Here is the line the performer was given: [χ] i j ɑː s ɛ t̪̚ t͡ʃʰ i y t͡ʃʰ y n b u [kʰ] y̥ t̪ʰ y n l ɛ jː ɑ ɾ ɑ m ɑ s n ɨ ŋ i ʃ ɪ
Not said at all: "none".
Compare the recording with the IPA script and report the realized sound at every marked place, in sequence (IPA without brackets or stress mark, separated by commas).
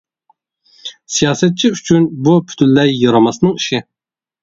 s, pʰ